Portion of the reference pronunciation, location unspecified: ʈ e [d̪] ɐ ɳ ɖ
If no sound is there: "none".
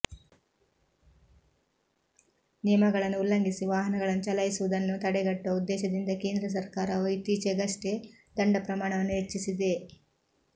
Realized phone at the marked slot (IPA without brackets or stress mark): d̪